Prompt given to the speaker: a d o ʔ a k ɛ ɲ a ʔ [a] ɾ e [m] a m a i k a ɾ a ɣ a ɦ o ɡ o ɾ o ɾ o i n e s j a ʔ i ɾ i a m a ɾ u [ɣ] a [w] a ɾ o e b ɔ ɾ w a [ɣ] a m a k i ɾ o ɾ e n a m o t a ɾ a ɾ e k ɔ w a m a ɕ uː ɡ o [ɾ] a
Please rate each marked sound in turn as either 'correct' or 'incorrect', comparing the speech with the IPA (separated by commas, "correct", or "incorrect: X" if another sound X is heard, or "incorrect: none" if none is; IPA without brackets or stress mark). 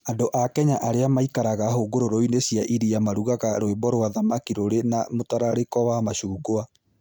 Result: correct, incorrect: none, correct, incorrect: ɣ, incorrect: ð, incorrect: none